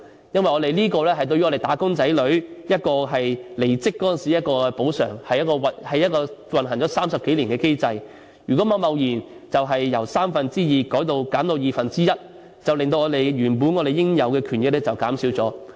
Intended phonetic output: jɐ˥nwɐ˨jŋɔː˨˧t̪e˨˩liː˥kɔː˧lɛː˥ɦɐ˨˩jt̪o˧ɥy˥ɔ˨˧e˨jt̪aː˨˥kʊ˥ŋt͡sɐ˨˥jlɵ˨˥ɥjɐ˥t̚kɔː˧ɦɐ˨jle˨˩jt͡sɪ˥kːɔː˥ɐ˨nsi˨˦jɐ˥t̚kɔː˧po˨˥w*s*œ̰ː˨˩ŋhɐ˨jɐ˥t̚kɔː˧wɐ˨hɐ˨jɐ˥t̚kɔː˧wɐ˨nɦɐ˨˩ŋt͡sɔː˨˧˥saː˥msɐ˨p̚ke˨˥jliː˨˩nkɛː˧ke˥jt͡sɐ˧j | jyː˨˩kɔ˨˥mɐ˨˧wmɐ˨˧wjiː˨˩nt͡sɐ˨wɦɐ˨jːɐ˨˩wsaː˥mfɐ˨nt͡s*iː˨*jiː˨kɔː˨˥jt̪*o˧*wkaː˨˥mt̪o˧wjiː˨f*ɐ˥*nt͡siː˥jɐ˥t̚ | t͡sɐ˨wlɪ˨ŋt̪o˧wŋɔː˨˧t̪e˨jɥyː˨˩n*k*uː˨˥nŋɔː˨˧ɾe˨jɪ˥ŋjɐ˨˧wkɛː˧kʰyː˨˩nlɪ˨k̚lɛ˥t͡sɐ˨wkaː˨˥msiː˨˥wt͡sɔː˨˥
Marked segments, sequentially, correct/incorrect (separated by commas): correct, incorrect, correct, incorrect, incorrect